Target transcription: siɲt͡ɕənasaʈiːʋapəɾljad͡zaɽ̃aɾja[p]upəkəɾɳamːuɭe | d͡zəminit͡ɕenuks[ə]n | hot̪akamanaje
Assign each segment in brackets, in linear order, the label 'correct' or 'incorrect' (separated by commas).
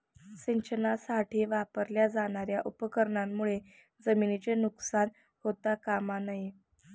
incorrect, incorrect